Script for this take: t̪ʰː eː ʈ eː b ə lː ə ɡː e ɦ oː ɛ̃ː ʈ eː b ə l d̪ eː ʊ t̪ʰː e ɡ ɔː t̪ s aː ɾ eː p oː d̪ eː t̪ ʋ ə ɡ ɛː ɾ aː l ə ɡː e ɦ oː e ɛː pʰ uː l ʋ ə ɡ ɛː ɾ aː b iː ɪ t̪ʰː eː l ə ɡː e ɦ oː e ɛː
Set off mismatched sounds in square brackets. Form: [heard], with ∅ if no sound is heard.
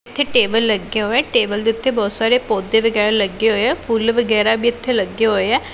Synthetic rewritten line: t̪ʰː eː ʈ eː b ə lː ə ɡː e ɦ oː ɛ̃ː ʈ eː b ə l d̪ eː ʊ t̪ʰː e [b] ɔː t̪ s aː ɾ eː p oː d̪ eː [∅] ʋ ə ɡ ɛː ɾ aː l ə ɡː e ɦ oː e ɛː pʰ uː l ʋ ə ɡ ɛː ɾ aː b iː ɪ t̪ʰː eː l ə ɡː e ɦ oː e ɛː